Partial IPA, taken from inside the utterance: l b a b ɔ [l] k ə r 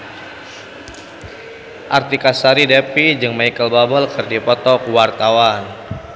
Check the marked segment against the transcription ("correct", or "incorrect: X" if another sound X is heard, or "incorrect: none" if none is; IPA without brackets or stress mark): correct